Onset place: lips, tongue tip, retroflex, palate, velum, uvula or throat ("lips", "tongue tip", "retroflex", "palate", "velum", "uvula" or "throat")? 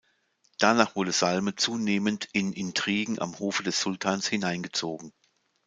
tongue tip